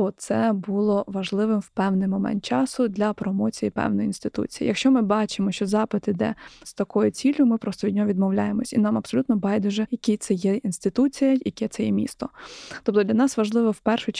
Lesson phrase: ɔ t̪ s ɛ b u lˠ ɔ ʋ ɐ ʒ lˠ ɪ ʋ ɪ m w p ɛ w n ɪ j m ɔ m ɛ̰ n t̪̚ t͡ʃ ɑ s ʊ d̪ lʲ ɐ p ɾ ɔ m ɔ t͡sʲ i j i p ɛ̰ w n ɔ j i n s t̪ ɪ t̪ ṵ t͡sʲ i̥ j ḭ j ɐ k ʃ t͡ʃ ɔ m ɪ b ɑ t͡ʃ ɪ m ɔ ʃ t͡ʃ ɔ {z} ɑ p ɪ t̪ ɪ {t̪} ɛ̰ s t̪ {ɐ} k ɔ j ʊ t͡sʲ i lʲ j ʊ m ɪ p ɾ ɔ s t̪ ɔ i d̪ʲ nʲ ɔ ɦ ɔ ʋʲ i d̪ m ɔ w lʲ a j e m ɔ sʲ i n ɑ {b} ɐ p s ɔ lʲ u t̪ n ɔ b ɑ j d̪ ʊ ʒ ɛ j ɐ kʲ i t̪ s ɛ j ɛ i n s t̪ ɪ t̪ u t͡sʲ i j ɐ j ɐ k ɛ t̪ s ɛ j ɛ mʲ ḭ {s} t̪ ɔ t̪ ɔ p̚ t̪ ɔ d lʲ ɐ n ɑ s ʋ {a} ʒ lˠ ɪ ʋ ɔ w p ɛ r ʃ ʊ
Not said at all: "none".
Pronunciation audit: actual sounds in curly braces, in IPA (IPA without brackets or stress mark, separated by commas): z, d̪, ɐ, m, s, ɐ